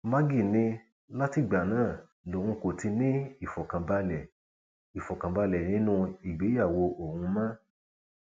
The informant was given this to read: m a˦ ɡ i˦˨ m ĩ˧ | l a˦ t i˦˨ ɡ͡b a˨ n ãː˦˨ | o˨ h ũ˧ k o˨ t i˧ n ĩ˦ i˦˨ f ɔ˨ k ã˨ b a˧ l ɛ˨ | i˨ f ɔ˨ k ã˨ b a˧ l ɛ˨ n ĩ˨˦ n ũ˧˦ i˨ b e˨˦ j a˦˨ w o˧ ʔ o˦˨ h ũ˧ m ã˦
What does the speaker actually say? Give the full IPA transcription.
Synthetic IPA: m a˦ ɡ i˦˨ n ĩ˧ | l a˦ t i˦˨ ɡ͡b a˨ n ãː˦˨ | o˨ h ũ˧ k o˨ t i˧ n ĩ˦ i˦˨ f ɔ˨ k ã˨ b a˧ l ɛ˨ | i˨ f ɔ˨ k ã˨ b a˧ l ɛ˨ n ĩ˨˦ n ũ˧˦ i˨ ɡ͡b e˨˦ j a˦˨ w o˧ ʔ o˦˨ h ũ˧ m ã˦